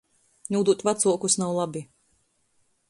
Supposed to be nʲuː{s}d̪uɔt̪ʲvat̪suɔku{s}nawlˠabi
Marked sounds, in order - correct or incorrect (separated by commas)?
incorrect, correct